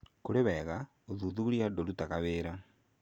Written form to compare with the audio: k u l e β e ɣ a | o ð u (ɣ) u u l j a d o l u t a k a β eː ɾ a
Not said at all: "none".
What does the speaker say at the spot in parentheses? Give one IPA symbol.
ð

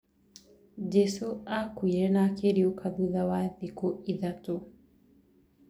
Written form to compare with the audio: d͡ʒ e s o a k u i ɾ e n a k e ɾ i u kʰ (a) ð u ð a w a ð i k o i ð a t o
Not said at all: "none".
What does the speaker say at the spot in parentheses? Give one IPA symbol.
a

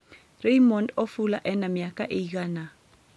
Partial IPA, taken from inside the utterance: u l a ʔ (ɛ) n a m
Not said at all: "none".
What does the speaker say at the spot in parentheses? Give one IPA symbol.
ɛ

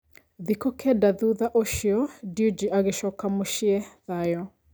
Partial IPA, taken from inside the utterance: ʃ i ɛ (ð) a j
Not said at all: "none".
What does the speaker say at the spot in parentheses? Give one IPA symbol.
ð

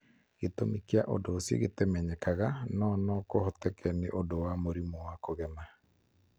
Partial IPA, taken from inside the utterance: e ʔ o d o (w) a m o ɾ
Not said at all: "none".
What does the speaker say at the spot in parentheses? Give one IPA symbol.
w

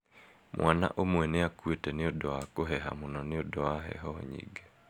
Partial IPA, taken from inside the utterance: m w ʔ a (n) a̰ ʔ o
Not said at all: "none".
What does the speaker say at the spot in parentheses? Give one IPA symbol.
n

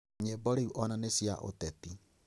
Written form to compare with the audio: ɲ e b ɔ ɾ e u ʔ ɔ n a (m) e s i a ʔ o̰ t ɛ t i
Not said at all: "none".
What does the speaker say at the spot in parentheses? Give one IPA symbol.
n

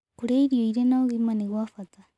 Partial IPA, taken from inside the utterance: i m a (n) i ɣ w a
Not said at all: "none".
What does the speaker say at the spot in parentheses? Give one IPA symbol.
n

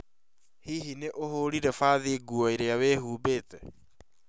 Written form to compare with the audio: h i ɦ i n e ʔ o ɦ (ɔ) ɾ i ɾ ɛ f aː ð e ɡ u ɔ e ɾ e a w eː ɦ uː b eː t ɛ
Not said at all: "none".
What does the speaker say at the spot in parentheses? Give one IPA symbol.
o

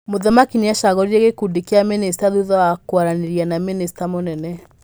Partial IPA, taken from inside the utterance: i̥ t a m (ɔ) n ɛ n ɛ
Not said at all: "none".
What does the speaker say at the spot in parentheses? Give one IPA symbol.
o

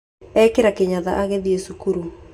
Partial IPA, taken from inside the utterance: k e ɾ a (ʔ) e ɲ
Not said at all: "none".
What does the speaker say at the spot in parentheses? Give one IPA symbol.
k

